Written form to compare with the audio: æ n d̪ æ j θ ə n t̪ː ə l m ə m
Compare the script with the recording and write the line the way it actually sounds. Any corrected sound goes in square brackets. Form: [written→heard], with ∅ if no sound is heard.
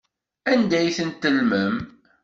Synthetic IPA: æ n d̪ æ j θ ə n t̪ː ə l m ə m